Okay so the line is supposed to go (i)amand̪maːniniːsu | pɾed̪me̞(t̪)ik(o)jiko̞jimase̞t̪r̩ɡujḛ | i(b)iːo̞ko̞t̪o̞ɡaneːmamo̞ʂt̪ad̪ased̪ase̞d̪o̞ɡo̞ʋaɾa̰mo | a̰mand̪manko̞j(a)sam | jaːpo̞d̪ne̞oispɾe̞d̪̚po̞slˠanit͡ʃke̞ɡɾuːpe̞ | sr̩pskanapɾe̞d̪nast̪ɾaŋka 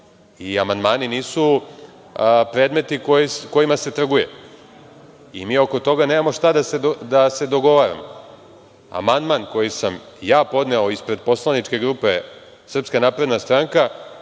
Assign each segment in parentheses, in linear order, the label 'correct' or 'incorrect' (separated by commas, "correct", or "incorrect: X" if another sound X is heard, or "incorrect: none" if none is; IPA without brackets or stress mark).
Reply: correct, correct, correct, incorrect: m, incorrect: i